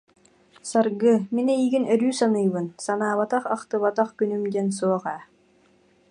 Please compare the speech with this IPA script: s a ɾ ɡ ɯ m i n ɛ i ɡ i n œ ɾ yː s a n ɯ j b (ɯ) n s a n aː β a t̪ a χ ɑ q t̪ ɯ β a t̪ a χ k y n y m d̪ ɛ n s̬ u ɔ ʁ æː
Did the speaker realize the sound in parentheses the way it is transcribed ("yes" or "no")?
yes